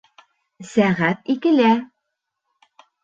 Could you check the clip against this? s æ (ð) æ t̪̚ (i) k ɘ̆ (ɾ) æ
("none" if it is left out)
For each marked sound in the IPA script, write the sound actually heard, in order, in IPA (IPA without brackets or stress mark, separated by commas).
ʁ, i, l